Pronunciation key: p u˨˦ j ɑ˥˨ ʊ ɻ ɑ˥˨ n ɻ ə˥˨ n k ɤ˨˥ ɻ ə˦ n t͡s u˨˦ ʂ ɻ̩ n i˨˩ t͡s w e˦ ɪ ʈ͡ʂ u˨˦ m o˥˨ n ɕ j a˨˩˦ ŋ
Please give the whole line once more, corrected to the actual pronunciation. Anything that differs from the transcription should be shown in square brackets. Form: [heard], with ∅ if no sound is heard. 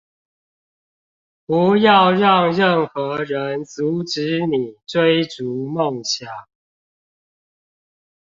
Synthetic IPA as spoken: p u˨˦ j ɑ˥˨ ʊ ɻ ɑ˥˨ [ŋ] ɻ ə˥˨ n [x] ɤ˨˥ ɻ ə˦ n t͡s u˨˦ [ʈ͡ʂ] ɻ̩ n i˨˩ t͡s w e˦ ɪ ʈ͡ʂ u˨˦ m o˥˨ [ŋ] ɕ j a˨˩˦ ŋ